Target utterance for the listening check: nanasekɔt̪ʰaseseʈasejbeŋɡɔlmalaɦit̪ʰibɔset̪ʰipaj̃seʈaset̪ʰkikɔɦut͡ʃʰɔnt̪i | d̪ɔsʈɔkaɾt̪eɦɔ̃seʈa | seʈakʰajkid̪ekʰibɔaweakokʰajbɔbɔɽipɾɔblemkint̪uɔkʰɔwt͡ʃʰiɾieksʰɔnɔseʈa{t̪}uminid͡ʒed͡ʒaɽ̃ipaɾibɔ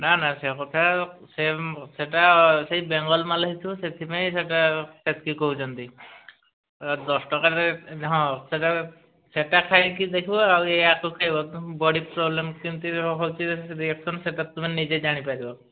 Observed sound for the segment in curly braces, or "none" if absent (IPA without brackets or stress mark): t̪